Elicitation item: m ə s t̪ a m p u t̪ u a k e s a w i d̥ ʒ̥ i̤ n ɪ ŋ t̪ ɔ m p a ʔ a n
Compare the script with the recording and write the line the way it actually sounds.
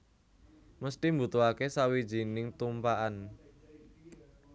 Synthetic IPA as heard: m ə s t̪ i m b u t̪ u a k e s a w i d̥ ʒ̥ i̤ n ɪ ŋ t̪ u m p a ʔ a n